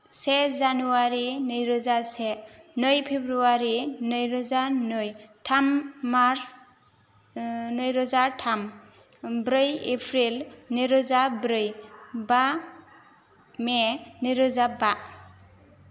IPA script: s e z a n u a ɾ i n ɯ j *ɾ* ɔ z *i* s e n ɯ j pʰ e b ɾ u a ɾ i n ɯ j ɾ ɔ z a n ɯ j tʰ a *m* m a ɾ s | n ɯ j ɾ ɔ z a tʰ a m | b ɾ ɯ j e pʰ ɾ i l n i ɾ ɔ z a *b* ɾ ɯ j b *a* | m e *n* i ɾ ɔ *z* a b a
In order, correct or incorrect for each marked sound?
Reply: correct, incorrect, correct, correct, correct, correct, correct

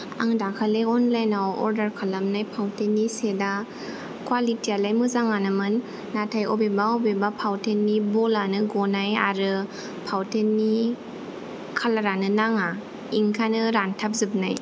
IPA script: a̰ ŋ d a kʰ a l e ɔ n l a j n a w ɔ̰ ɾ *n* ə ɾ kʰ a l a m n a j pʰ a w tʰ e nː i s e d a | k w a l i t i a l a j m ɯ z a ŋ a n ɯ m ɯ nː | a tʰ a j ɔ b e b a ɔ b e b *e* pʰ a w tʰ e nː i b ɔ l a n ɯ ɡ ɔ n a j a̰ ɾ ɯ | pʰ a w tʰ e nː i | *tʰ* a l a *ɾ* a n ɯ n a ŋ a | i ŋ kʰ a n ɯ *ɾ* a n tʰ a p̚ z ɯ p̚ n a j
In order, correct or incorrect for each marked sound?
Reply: incorrect, incorrect, incorrect, correct, correct

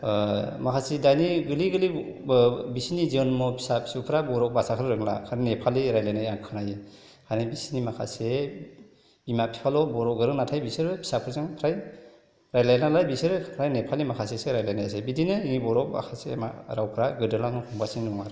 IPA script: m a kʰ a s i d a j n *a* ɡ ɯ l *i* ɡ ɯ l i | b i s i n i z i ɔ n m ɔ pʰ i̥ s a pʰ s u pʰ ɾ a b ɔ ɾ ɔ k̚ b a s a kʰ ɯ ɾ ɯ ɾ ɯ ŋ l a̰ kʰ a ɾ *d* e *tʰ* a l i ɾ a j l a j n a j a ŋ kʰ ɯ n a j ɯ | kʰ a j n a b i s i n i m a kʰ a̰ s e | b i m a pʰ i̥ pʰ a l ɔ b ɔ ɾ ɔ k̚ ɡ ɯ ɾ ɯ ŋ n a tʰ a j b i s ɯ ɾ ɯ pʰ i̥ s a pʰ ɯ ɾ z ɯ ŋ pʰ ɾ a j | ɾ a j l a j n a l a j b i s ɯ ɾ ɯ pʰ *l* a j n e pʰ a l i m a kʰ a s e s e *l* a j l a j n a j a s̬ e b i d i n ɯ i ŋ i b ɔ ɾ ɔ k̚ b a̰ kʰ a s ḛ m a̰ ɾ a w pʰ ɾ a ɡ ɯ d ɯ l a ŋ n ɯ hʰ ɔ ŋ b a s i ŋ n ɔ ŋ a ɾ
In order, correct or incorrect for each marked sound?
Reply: incorrect, correct, incorrect, incorrect, incorrect, incorrect

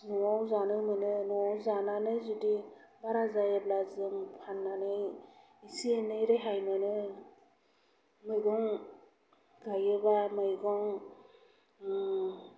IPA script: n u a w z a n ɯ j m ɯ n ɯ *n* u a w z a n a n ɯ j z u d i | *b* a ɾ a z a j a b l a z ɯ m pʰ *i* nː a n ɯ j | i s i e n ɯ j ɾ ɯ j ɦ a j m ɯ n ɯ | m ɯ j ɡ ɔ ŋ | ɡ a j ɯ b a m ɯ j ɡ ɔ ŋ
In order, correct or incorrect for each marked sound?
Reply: correct, correct, incorrect

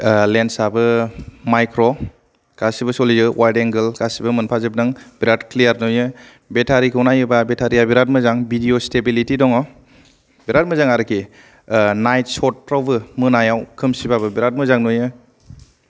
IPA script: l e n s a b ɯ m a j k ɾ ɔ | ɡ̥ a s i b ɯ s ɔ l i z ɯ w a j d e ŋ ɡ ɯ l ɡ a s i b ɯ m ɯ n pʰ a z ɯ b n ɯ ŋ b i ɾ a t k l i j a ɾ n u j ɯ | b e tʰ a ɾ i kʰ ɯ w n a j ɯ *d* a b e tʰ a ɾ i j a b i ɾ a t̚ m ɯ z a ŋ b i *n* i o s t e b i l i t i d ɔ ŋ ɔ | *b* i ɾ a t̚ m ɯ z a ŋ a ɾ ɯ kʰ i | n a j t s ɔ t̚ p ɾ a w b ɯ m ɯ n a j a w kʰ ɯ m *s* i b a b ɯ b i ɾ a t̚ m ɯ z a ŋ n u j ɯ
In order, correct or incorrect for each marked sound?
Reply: incorrect, incorrect, correct, correct

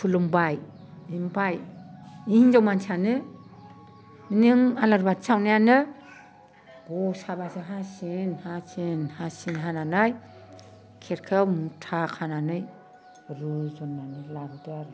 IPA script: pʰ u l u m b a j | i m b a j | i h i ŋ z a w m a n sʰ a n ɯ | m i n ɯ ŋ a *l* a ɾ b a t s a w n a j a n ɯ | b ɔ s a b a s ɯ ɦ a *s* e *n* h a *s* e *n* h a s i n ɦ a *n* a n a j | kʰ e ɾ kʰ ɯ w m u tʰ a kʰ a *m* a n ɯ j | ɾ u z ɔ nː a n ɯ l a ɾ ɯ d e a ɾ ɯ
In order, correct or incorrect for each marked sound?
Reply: correct, correct, correct, correct, correct, correct, incorrect

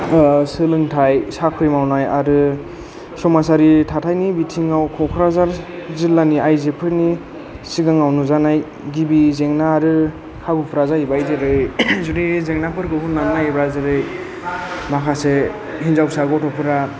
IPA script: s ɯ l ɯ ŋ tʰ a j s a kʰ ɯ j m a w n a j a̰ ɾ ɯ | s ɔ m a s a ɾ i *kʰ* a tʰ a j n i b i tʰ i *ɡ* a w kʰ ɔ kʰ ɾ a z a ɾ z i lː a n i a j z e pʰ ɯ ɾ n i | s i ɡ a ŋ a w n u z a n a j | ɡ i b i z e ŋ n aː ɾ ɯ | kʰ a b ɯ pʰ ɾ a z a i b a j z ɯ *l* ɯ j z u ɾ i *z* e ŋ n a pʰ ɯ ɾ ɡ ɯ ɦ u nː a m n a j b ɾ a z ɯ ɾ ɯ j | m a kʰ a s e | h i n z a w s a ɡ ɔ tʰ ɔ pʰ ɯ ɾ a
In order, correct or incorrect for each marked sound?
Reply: incorrect, incorrect, incorrect, correct

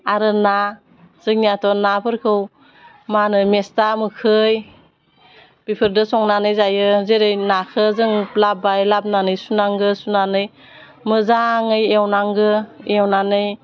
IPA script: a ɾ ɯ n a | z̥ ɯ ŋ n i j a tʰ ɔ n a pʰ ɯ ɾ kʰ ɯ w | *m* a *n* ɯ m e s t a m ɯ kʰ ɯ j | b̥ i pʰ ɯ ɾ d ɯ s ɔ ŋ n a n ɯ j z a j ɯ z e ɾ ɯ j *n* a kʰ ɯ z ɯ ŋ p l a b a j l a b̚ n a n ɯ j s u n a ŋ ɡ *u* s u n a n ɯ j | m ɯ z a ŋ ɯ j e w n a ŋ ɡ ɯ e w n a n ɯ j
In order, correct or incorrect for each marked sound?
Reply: correct, correct, correct, incorrect

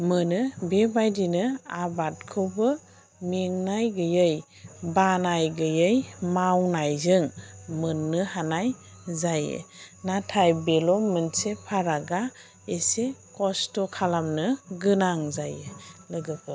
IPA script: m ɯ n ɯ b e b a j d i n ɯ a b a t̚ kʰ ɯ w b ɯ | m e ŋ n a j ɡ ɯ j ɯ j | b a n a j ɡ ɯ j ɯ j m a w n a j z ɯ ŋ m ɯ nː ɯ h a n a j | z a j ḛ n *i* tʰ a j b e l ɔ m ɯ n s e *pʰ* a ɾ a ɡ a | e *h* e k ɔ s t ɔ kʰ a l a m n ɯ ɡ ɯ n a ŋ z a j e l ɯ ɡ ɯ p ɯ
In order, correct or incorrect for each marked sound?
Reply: incorrect, correct, incorrect

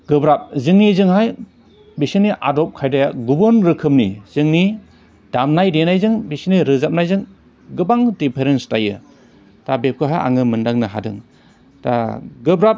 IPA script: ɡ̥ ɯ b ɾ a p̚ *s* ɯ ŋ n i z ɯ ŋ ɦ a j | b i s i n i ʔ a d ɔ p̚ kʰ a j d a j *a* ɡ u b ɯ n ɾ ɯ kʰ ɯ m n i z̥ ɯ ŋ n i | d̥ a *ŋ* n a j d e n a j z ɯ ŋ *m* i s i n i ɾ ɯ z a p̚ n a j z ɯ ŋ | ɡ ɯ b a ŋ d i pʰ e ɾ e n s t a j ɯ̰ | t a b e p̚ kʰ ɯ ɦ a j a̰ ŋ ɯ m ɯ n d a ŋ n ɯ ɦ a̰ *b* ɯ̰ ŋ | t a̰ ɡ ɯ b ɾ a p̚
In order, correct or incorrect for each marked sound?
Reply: incorrect, correct, incorrect, incorrect, incorrect

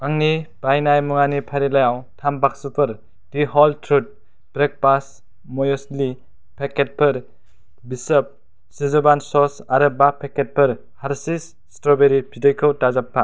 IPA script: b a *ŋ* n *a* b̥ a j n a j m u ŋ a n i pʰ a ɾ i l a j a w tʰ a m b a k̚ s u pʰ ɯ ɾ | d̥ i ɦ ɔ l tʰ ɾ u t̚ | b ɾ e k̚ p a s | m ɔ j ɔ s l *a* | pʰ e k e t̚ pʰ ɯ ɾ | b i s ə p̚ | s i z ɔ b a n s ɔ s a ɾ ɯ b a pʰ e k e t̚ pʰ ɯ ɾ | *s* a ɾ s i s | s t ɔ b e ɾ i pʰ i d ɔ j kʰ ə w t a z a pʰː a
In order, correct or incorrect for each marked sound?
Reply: correct, incorrect, incorrect, incorrect

